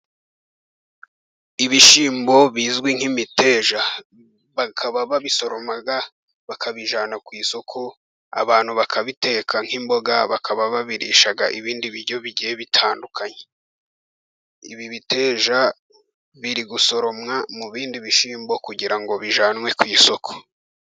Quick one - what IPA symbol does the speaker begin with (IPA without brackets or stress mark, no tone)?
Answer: i